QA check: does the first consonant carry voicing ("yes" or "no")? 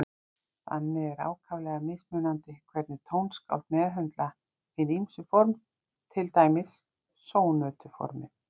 no